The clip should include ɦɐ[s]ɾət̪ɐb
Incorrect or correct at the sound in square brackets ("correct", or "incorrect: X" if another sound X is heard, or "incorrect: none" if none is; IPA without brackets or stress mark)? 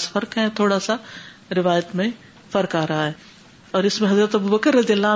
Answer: incorrect: z